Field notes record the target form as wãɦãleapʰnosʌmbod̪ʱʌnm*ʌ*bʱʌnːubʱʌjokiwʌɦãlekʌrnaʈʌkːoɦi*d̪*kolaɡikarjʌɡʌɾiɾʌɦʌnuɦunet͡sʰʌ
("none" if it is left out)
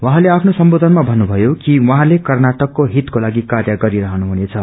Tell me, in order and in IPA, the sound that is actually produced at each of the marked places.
a, t̪

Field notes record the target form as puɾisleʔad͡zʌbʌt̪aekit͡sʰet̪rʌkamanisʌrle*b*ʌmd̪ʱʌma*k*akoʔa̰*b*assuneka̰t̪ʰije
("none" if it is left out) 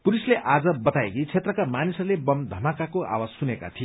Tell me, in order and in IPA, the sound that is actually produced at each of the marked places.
b, k, w

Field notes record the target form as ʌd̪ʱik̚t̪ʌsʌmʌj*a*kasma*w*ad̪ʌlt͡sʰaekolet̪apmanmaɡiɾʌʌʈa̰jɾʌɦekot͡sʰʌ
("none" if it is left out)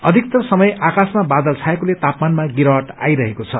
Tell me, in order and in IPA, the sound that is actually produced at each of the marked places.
a, b

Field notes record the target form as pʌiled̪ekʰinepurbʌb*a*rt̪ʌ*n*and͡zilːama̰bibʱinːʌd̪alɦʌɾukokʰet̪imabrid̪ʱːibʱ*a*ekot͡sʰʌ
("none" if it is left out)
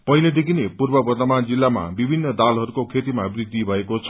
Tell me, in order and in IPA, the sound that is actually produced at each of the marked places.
ʌ, m, ʌ

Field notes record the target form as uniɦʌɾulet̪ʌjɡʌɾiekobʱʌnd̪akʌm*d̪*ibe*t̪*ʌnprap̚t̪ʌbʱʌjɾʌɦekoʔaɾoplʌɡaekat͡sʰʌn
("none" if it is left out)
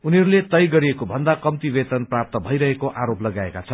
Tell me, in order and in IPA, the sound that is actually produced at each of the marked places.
t̪, t̪

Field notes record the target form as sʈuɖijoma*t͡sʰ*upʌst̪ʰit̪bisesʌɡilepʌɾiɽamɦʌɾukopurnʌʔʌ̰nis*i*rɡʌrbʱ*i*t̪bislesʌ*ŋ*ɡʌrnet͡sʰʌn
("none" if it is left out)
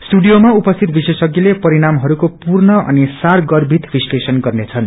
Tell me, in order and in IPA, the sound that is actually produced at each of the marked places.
none, a, i, n

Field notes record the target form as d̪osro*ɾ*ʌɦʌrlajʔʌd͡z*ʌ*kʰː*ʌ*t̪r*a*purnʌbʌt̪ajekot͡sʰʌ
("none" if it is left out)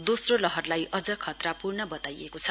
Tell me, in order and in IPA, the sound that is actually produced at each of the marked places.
l, ʌ, ʌ, a

